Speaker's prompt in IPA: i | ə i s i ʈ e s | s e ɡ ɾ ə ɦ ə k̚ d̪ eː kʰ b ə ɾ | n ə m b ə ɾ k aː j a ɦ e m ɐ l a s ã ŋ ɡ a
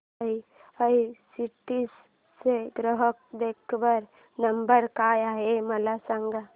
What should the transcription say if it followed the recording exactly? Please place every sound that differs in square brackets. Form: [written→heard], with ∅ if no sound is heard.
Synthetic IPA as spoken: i | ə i s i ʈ [e→i] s | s e ɡ ɾ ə ɦ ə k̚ d̪ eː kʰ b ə ɾ | n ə m b ə ɾ k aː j a ɦ e m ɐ l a s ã ŋ ɡ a